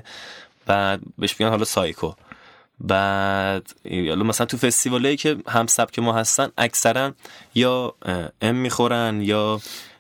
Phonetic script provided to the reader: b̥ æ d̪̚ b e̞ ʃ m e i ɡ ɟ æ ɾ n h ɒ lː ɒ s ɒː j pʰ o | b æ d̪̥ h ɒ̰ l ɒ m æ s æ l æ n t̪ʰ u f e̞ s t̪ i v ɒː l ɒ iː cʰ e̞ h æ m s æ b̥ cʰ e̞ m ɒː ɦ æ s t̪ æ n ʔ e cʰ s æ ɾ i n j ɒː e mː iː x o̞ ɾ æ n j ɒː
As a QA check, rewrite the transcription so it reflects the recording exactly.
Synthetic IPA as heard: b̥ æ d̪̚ b e̞ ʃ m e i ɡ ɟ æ n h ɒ l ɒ s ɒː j kʰ o | b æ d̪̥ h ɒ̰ l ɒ m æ s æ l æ n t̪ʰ u f e̞ s t̪ i v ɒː l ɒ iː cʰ e̞ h æ m s æ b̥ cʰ e̞ m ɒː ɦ æ s t̪ æ n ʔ æ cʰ s æ ɾ æ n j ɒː e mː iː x o̞ ɾ æ n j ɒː